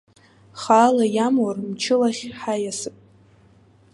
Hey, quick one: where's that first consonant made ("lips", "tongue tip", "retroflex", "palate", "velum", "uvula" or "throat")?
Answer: uvula